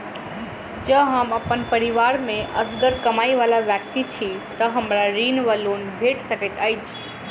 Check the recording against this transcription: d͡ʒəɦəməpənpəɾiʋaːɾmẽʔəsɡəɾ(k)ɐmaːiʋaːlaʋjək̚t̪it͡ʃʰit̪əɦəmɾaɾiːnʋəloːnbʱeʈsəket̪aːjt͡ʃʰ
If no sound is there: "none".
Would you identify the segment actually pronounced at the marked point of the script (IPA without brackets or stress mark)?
k